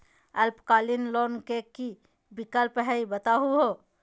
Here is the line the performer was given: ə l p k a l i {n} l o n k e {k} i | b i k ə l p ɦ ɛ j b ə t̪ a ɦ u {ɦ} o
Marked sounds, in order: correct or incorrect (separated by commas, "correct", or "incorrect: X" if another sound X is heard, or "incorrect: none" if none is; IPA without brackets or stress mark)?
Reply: correct, correct, correct